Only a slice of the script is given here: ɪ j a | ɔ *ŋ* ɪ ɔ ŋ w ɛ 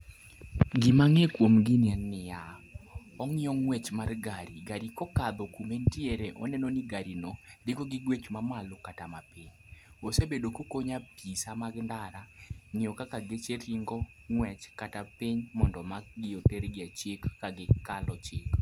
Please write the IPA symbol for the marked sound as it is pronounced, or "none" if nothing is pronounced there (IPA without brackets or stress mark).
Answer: ŋ